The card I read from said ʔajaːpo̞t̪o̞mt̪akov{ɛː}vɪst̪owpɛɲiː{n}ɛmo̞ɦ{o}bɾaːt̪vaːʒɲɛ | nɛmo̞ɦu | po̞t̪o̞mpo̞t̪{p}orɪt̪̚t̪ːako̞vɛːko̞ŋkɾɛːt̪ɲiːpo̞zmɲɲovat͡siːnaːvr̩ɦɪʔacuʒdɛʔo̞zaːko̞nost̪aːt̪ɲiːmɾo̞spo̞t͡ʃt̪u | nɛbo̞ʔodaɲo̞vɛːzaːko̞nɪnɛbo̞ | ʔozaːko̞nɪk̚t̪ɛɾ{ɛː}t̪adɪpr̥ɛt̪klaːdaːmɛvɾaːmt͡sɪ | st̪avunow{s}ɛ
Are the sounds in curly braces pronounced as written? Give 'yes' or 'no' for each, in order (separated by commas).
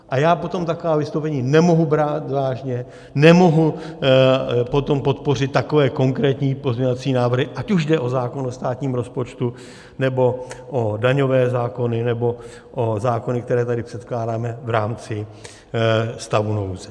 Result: no, yes, no, yes, yes, no